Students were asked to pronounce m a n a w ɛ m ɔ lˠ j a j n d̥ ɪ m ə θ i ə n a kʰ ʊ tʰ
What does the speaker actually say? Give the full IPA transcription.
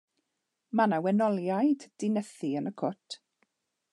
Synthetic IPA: m a n a w ɛ n ɔ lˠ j a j d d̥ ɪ n ə θ i ə n ə kʰ ʊ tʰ